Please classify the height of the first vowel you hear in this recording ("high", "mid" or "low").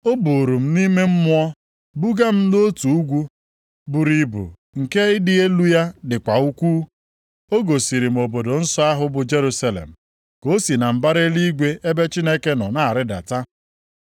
mid